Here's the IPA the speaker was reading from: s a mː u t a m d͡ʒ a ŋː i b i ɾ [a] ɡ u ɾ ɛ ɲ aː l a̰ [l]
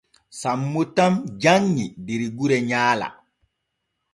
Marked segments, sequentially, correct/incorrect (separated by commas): incorrect, incorrect